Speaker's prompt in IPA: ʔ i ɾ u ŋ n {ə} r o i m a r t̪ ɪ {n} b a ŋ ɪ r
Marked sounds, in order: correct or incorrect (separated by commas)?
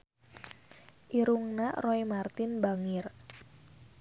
incorrect, correct